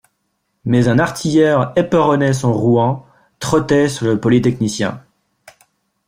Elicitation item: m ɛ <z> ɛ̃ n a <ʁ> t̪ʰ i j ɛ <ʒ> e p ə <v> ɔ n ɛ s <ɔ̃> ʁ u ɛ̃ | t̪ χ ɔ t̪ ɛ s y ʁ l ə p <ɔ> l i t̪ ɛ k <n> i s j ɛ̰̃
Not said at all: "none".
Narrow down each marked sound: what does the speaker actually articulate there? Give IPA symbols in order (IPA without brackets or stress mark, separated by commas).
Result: z, ʁ, ʁ, ʁ, ɔ̃, ɔ, n